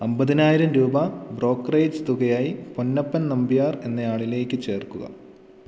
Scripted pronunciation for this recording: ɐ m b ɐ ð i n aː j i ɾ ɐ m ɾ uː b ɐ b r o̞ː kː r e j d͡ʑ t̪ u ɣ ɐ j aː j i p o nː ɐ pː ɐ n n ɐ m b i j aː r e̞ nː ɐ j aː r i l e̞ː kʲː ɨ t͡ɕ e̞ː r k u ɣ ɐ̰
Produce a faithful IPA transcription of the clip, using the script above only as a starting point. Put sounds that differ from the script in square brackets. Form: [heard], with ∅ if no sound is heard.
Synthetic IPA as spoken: ɐ m b ɐ ð i n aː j i ɾ ɐ m ɾ uː b ɐ b r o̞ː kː r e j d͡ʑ t̪ u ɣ ɐ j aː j i p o nː ɐ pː ɐ n n ɐ m b i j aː r e̞ nː ɐ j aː [ɭ] i l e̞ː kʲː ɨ t͡ɕ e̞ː r k u ɣ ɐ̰

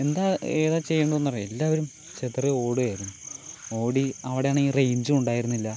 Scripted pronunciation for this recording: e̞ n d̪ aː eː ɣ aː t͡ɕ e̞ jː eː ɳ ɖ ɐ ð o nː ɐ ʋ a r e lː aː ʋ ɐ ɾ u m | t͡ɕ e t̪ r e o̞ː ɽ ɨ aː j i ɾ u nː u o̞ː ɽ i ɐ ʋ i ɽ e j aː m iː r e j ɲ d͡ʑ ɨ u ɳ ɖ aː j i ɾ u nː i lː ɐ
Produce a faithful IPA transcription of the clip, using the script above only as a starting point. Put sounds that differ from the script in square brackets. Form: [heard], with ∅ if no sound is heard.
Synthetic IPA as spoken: e̞ n d̪ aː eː [ð] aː t͡ɕ e̞ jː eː ɳ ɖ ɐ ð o nː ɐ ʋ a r e lː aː ʋ ɐ ɾ u m | t͡ɕ e t̪ r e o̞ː ɽ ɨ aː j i ɾ u nː u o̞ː ɽ i ɐ ʋ i ɽ e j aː [ɳ] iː r e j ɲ d͡ʑ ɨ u ɳ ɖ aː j i ɾ u nː i lː ɐ

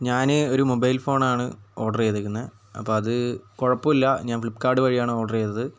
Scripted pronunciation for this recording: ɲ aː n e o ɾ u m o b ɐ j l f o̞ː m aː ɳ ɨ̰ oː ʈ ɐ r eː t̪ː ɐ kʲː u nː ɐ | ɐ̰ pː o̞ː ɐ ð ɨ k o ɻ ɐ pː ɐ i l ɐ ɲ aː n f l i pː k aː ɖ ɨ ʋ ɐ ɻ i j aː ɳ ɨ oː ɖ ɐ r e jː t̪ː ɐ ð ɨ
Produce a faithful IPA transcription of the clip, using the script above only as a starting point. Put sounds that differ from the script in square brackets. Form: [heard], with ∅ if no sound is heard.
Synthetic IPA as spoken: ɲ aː n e o ɾ u m o b ɐ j l f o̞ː [ɳ] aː ɳ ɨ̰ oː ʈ ɐ r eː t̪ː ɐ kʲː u nː ɐ | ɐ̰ pː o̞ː ɐ ð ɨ k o ɻ ɐ pː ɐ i [lː] ɐ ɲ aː n f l i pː k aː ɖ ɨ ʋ ɐ ɻ i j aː ɳ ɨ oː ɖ ɐ r e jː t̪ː ɐ ð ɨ

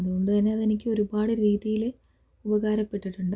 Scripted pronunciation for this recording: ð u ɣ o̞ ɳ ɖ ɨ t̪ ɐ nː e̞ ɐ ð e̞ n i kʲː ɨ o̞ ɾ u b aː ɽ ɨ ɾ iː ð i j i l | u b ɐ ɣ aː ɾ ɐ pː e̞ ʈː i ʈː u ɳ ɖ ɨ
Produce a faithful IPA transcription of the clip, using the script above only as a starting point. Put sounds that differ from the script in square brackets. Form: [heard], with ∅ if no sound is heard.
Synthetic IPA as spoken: ð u ɣ o̞ ɳ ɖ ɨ t̪ ɐ nː e̞ ɐ ð e̞ n i kʲː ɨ o̞ ɾ u b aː ɽ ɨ ɾ iː ð i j i l | u b ɐ ɣ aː ɾ ɐ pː e̞ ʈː i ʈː u ɳ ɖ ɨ

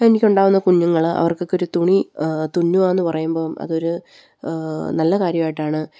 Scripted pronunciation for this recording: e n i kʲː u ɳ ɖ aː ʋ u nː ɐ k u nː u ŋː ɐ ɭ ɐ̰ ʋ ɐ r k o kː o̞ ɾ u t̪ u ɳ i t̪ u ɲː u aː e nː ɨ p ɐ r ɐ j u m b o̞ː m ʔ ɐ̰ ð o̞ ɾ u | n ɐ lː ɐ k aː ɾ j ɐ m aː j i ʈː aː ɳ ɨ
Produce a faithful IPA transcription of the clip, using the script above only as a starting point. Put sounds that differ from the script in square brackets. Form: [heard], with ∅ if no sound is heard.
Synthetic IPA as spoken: e n i kʲː u ɳ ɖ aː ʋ u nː ɐ k u [ɲː] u ŋː ɐ ɭ ɐ̰ ʋ ɐ r k o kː o̞ ɾ u t̪ u ɳ i t̪ u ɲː u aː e nː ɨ p ɐ r ɐ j u m b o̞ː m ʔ ɐ̰ ð o̞ ɾ u | n ɐ lː ɐ k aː ɾ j ɐ m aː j i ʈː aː ɳ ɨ

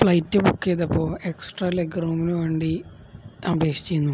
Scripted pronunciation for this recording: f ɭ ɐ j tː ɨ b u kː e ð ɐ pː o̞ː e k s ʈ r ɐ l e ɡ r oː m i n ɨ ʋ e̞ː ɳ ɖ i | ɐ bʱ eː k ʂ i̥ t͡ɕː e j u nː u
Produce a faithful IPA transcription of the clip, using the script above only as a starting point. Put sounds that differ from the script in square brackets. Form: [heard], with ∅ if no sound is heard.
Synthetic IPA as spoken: f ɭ ɐ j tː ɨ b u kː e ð ɐ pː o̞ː e k s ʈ r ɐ l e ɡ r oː m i n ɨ ʋ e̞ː ɳ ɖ i | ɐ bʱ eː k ʂ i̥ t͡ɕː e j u nː u

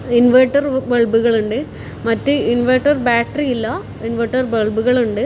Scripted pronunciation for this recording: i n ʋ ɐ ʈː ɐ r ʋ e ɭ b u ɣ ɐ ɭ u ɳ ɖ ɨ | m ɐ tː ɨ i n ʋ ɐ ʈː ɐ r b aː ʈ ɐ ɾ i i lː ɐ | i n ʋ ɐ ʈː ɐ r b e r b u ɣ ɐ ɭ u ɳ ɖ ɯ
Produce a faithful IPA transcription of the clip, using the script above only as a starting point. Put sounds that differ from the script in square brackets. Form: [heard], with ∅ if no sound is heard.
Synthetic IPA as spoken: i n ʋ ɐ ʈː ɐ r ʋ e ɭ b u ɣ ɐ ɭ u ɳ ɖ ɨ | m ɐ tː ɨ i n ʋ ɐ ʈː ɐ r b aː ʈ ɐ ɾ i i lː ɐ | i n ʋ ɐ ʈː ɐ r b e [ɭ] b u ɣ ɐ ɭ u ɳ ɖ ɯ

